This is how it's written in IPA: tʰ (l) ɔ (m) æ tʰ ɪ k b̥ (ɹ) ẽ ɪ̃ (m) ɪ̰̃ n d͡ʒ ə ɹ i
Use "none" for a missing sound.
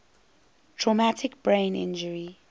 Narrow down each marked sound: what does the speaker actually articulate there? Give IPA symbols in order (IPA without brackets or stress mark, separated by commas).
ɹ, m, ɹ, n